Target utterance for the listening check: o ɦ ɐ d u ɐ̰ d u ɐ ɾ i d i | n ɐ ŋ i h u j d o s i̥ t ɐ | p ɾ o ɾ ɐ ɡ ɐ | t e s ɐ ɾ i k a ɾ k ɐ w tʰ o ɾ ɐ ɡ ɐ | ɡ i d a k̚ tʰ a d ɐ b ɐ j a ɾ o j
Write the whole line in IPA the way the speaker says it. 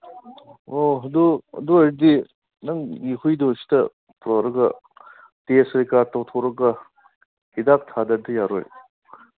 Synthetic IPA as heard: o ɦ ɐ d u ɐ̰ d u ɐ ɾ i d i | n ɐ ŋ i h u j d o s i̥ t ɐ | p ɾ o ɾ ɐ ɡ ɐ | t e s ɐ ɾ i k a ɾ t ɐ w tʰ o ɾ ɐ ɡ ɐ | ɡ i d a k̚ tʰ a d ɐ d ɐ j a ɾ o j